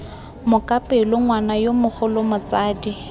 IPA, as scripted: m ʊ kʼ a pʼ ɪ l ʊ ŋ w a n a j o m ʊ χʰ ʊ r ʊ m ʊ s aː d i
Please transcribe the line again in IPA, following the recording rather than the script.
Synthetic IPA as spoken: m ʊ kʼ a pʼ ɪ l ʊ ŋ w a n a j o m ʊ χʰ ʊ l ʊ m ʊ t͡s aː d i